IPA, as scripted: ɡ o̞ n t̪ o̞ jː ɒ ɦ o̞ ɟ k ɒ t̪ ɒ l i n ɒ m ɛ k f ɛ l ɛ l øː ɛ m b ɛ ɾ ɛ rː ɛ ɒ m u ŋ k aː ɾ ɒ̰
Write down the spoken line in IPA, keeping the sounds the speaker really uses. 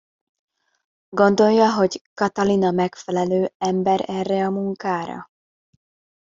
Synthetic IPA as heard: ɡ o̞ n d̪ o̞ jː ɒ ɦ o̞ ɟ k ɒ t̪ ɒ l i n ɒ m ɛ k f ɛ l ɛ l øː ɛ m b ɛ ɾ ɛ rː ɛ ɒ m u ŋ k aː ɾ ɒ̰